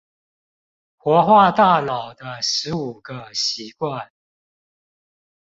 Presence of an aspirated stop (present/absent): absent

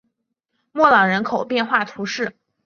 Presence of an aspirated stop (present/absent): present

